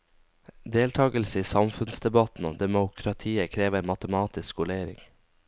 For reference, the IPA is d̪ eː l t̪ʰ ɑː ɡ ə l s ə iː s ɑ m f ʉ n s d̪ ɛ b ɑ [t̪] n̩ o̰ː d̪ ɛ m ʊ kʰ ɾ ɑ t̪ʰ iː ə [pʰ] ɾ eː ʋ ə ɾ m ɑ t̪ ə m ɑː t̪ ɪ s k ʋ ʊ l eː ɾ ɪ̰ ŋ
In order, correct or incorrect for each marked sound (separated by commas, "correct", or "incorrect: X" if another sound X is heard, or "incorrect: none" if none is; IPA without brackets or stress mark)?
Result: correct, incorrect: kʰ